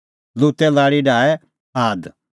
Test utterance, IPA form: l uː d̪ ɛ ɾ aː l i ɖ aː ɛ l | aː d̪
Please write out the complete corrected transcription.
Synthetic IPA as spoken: l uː t̪ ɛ l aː ɽ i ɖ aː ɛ | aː d̪